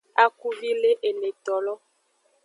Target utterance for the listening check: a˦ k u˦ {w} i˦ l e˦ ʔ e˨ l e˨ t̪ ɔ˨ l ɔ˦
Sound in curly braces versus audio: incorrect: v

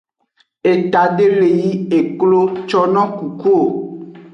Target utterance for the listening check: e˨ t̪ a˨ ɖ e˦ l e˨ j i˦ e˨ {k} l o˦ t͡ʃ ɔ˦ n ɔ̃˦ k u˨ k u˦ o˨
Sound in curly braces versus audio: correct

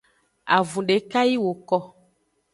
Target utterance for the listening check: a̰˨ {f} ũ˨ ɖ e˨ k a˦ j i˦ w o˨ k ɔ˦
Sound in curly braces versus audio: incorrect: v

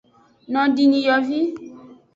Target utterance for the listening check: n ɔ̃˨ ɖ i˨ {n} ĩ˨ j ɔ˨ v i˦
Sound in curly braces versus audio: incorrect: ɲ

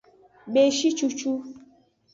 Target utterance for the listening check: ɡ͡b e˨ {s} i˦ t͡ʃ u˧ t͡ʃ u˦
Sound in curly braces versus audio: incorrect: ʃ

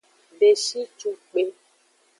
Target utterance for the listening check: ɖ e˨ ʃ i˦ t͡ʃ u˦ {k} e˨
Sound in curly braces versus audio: incorrect: k͡p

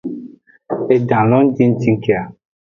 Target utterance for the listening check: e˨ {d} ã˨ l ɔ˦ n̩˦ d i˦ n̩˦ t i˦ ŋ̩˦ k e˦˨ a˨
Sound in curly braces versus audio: correct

